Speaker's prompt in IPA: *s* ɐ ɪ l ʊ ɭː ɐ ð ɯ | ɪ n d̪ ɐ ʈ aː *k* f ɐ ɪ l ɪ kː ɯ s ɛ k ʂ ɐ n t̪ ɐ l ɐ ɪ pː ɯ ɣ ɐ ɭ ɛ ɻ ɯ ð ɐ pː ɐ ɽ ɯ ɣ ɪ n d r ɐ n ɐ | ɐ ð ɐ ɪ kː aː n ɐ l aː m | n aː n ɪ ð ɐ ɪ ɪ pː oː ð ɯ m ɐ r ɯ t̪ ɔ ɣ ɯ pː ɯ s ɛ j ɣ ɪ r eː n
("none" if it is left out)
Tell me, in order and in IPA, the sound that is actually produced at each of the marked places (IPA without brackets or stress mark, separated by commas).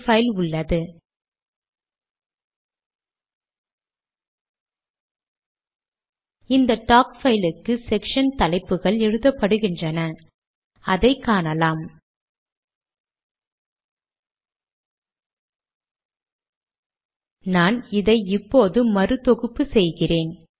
f, k